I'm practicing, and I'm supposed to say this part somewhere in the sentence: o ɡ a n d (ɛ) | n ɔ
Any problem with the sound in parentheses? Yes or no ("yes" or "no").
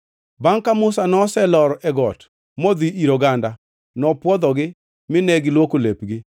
yes